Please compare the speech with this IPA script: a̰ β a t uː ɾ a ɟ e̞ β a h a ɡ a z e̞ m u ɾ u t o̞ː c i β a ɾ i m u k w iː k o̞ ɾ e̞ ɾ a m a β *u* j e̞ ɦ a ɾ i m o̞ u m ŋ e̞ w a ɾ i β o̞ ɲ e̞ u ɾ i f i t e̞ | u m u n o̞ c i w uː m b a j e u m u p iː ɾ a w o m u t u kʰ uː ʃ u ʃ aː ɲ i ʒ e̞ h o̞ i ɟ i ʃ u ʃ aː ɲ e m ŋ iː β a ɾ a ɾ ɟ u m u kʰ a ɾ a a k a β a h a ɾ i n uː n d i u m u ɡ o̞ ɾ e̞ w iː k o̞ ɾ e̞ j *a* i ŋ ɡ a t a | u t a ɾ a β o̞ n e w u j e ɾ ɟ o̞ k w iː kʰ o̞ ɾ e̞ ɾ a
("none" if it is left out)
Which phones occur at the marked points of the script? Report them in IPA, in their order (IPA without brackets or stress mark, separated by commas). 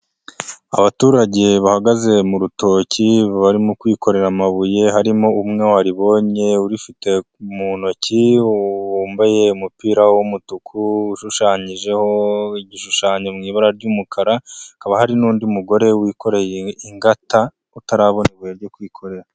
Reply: u, e